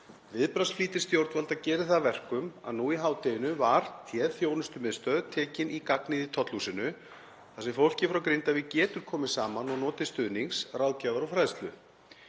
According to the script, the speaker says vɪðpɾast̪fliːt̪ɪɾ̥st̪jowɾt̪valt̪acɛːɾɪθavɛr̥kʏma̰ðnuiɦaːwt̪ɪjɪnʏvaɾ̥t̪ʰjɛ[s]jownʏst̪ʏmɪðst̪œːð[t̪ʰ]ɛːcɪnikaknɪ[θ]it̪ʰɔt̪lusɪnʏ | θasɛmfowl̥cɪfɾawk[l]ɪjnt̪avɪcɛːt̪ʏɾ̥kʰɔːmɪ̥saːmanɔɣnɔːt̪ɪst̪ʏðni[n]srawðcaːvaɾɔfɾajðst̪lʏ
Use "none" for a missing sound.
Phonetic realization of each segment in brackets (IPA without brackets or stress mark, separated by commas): θ, t̪ʰ, ð, ɾ, ŋ